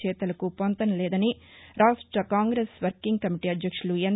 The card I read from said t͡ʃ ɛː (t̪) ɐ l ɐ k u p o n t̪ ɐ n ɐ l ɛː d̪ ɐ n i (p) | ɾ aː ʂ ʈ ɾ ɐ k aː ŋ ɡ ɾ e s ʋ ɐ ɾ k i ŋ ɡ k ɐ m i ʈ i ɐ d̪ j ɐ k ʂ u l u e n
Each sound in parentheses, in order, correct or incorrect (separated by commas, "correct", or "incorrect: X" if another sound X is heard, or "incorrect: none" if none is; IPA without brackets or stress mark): correct, incorrect: none